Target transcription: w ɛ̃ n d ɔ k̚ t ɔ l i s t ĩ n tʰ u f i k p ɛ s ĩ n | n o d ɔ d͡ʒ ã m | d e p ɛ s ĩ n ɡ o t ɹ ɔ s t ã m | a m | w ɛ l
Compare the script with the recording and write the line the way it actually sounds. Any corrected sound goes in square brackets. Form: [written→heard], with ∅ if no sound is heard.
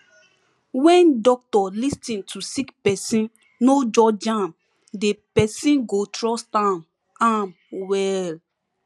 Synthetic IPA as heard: w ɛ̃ n d ɔ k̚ t ɔ l i s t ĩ n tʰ u [f→s] i k p ɛ s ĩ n | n o [d→d͡ʒ] ɔ d͡ʒ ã m | d e p ɛ s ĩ n ɡ o t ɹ ɔ s t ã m | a m | w ɛ l